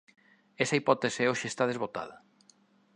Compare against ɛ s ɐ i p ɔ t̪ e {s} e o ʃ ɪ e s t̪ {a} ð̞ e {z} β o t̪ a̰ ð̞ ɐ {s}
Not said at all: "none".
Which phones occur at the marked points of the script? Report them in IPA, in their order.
s, a, z, none

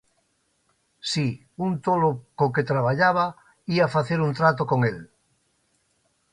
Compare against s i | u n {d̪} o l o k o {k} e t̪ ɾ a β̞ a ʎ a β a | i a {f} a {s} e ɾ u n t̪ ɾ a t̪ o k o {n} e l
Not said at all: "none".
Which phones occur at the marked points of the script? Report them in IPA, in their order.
t̪, k, f, θ, ŋ

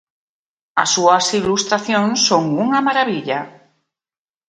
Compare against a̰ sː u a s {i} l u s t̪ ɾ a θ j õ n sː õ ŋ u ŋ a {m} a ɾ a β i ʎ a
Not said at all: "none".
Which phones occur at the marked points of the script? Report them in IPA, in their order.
i, m

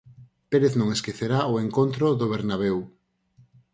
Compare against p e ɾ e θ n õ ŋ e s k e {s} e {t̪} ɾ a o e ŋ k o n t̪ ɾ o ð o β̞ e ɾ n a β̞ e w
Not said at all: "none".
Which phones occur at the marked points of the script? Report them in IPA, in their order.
θ, none

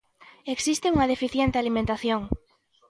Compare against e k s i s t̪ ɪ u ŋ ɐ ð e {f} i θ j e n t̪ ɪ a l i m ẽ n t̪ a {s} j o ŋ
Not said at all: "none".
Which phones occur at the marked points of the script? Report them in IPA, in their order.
f, θ

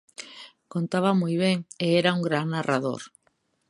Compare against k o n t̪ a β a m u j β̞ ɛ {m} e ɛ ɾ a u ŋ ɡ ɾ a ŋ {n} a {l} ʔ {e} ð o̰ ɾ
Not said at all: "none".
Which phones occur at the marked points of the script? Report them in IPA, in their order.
ŋ, n, r, a

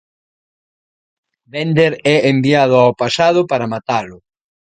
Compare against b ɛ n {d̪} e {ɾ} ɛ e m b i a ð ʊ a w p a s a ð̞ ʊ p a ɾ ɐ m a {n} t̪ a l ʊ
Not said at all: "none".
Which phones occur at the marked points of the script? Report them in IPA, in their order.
d̪, ɾ, none

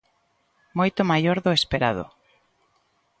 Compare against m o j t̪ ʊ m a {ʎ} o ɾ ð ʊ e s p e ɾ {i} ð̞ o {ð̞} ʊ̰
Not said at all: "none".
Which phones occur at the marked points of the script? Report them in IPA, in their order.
j, a, none

